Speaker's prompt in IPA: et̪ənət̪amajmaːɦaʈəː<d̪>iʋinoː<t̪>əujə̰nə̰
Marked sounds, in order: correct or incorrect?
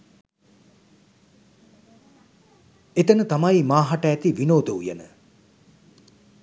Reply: incorrect, incorrect

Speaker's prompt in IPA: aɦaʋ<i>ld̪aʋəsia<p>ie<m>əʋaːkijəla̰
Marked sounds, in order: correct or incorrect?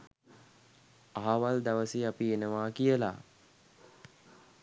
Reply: incorrect, correct, incorrect

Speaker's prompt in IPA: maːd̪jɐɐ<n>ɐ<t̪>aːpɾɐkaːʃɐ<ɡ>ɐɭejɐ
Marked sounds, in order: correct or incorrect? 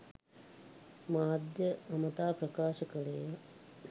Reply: incorrect, correct, incorrect

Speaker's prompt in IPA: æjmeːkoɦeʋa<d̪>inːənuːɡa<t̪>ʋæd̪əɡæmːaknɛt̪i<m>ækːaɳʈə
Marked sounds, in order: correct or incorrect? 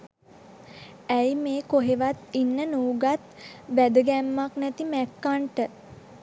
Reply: incorrect, correct, correct

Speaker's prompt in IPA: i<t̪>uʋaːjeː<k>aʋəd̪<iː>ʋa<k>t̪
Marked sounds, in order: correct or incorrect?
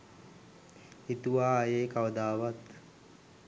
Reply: correct, correct, incorrect, incorrect

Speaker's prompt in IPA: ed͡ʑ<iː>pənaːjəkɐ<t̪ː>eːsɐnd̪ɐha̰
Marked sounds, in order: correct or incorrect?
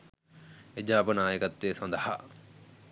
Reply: incorrect, correct

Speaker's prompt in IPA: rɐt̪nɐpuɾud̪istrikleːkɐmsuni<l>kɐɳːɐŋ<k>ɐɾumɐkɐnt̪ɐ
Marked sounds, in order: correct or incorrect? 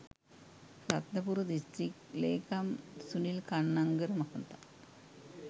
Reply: correct, incorrect

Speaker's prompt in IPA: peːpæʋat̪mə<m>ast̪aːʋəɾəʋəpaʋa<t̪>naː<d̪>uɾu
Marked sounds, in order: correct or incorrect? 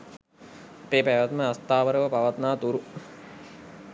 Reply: incorrect, correct, incorrect

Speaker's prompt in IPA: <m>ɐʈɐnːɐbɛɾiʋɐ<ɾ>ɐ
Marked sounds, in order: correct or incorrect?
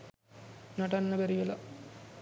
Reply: incorrect, incorrect

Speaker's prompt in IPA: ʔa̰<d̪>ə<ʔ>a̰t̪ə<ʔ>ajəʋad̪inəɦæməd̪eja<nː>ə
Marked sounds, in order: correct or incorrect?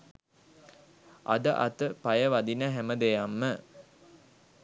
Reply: correct, correct, incorrect, incorrect

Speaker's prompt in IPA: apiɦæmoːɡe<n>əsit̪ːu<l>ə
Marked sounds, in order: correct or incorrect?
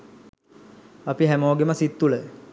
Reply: incorrect, correct

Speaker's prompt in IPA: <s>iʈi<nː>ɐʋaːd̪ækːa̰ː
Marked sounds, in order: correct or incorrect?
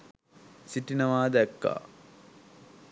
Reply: correct, incorrect

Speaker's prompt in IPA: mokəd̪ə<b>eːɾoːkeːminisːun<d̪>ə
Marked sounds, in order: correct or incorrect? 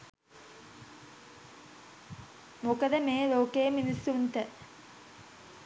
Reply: incorrect, incorrect

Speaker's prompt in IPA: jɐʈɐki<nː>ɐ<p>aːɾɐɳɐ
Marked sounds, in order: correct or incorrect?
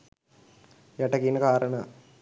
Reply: incorrect, incorrect

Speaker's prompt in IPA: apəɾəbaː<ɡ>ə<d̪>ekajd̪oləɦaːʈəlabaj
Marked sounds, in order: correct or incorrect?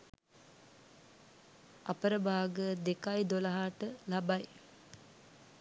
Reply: correct, correct

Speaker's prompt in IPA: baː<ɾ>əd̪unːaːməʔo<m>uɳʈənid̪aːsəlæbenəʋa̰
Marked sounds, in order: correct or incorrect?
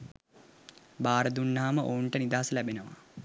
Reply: correct, incorrect

